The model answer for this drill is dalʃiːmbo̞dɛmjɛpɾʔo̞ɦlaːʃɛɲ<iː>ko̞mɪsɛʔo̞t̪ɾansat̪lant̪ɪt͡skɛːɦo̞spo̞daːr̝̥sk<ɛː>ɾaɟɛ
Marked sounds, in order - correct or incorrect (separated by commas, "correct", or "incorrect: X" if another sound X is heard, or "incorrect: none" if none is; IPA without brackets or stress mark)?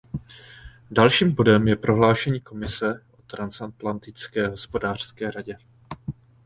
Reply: correct, correct